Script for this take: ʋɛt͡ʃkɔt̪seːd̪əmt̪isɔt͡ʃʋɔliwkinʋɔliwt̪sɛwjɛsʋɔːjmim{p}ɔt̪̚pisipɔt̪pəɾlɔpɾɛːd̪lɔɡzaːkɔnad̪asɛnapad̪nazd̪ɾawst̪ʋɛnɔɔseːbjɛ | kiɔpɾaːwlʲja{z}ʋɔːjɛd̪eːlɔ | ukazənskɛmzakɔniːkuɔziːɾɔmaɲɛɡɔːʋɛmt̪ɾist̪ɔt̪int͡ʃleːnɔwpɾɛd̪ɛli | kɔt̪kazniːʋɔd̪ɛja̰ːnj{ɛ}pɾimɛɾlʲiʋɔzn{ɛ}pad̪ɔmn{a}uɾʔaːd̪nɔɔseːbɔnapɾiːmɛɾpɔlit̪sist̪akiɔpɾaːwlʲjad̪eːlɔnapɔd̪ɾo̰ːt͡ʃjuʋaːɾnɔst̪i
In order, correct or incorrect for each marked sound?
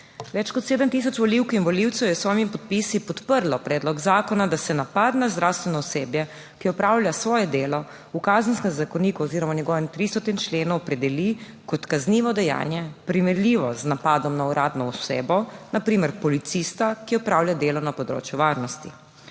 correct, incorrect, correct, incorrect, correct

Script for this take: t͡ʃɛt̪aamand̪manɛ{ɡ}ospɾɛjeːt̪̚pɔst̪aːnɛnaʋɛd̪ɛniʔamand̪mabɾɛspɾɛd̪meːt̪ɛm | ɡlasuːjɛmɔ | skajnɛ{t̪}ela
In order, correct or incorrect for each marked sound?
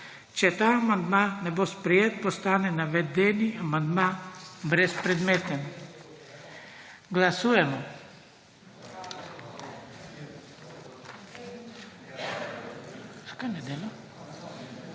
incorrect, incorrect

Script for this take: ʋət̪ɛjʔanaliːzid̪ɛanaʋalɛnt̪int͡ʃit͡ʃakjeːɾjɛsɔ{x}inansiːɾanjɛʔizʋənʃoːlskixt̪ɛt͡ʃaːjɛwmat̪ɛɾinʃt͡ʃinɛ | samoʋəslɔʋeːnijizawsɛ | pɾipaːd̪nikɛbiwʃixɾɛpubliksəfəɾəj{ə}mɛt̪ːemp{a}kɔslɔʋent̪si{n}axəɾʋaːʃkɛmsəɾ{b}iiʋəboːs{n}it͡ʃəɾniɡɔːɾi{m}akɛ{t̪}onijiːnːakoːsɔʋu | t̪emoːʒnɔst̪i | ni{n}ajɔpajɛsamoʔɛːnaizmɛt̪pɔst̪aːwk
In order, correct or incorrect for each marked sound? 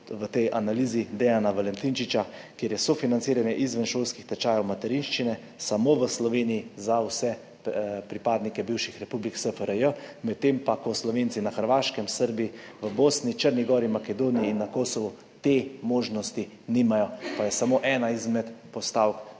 incorrect, correct, correct, correct, correct, correct, correct, incorrect, incorrect

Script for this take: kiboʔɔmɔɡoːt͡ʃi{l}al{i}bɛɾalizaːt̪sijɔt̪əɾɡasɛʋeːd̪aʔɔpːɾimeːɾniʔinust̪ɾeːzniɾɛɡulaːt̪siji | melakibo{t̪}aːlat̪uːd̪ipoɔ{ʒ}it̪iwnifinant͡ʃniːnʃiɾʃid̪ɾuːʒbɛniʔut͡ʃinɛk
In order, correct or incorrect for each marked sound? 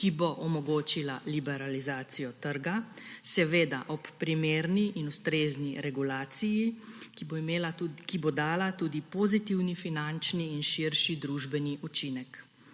correct, correct, incorrect, incorrect

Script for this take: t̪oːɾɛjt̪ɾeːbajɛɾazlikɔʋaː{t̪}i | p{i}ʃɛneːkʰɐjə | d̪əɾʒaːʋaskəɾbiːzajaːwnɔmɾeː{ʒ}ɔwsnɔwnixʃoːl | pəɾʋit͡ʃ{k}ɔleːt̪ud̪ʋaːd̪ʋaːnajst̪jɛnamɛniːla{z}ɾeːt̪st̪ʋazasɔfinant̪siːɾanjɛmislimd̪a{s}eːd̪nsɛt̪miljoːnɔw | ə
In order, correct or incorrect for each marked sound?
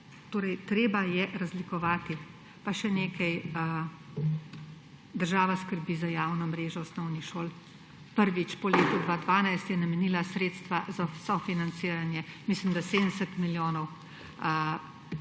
correct, incorrect, correct, incorrect, incorrect, correct

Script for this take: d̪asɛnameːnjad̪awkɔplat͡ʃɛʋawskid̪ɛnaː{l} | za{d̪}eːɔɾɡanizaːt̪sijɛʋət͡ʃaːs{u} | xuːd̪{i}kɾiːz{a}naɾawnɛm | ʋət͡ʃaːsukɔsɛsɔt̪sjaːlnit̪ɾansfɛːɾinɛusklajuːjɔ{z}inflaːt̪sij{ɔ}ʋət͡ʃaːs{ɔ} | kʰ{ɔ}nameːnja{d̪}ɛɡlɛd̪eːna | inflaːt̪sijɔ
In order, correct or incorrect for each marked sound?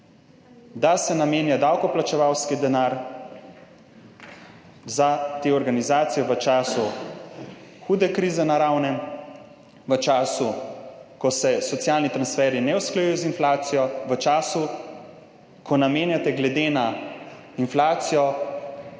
incorrect, incorrect, correct, incorrect, incorrect, correct, correct, incorrect, correct, incorrect

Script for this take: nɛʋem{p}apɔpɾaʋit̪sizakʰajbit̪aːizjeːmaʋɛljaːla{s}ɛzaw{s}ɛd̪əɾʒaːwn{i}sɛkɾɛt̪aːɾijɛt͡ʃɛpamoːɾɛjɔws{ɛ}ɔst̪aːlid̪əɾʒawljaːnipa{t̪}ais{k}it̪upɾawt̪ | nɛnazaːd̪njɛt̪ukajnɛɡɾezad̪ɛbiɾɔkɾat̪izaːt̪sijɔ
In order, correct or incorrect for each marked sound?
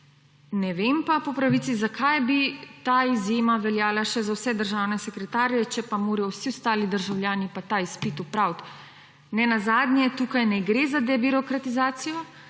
correct, incorrect, correct, incorrect, incorrect, correct, incorrect

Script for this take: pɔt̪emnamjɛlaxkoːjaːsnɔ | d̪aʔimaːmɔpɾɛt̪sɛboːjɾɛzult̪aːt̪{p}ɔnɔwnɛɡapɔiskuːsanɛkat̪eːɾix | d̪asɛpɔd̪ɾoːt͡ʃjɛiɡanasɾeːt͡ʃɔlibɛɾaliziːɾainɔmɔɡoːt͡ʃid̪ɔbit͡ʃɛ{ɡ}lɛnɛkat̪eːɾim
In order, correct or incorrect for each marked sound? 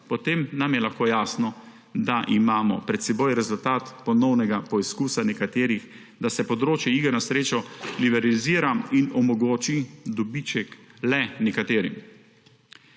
correct, incorrect

